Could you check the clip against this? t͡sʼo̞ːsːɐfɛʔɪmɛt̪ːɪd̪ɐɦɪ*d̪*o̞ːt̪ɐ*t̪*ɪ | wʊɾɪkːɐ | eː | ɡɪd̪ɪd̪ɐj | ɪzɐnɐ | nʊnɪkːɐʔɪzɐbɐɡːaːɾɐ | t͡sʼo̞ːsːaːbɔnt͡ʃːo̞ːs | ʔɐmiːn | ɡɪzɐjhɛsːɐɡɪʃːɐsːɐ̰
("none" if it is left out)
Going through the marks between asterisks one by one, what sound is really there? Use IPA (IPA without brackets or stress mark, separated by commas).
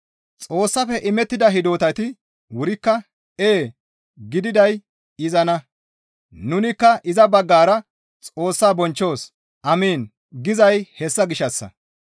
d̪, t̪